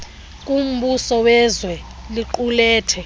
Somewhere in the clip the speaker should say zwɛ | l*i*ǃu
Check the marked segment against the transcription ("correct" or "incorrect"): correct